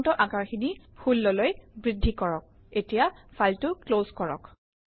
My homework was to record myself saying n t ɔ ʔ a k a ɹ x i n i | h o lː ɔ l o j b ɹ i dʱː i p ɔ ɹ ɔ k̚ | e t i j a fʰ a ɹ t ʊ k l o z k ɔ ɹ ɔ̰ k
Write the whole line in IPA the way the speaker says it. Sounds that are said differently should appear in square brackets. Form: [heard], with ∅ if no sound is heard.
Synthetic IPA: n t ɔ ʔ a k a ɹ x i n i | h [u] lː ɔ l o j b ɹ i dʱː i [k] ɔ ɹ ɔ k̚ | e t i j a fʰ a [l] t ʊ k l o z k ɔ ɹ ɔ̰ k